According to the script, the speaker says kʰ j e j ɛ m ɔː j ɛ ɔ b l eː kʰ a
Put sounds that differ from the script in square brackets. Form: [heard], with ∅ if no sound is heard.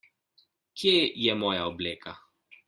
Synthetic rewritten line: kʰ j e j ɛ m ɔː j [a] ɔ b l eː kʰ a